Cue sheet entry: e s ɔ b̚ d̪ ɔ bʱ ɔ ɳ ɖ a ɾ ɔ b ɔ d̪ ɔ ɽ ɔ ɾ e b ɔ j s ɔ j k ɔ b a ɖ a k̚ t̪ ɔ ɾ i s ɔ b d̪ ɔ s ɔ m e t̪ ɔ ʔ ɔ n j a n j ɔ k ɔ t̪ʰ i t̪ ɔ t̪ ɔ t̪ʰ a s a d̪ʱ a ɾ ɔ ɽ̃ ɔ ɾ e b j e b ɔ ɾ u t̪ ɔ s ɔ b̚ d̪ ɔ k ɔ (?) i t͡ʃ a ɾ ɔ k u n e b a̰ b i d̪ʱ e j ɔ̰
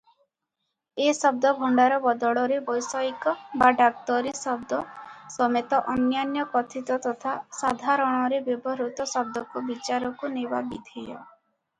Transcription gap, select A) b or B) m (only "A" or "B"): A